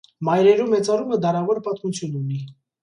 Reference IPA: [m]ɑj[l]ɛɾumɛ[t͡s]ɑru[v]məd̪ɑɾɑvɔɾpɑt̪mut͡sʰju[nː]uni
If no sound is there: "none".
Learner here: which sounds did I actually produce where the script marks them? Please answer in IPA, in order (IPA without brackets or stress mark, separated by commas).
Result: m, ɾ, t͡s, none, n